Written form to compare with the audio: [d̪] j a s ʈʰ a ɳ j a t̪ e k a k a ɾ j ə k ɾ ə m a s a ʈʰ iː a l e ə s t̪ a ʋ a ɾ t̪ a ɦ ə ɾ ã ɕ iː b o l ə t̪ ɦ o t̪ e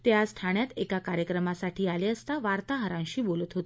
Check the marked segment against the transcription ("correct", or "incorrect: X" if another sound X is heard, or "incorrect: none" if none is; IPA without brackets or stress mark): incorrect: t̪